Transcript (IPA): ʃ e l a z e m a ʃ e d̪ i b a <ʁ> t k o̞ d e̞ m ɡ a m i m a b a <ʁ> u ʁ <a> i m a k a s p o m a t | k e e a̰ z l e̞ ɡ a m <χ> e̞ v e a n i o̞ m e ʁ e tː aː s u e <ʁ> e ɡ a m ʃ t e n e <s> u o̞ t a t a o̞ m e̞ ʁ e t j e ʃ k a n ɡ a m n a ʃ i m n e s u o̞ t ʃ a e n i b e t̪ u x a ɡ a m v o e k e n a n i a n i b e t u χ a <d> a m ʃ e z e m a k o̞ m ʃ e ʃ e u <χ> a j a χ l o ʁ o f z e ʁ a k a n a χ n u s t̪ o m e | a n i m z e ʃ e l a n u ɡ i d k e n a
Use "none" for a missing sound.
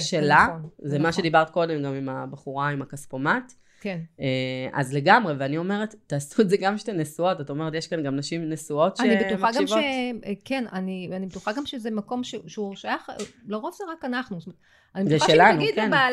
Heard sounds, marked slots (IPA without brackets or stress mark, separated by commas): ʁ, χ, a, ʁ, z, s, ɡ, ʃ